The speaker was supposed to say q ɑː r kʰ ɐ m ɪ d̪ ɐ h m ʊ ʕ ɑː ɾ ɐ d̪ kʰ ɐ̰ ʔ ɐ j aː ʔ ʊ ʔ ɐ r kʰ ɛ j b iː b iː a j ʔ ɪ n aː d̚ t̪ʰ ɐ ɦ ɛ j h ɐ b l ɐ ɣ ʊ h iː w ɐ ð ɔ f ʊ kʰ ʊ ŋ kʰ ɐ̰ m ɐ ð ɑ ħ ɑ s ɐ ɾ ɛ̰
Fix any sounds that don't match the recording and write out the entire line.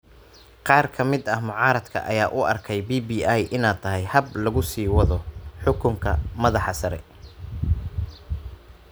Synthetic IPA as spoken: q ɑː r kʰ ɐ m ɪ d̪ ɐ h m ʊ ʕ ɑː ɾ ɐ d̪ kʰ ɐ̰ ʔ ɐ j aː ʔ ʊ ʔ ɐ r kʰ ɛ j b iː b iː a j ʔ ɪ n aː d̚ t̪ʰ ɐ ɦ ɛ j h ɐ b l ɐ ɣ ʊ s iː w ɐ ð ɔ ħ ʊ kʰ ʊ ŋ kʰ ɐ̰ m ɐ ð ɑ ħ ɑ s ɐ ɾ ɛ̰